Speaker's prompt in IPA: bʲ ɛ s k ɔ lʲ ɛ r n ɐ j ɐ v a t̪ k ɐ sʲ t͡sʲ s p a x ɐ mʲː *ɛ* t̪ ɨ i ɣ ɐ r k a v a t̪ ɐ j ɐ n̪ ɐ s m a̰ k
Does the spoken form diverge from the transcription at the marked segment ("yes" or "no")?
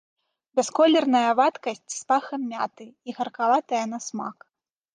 yes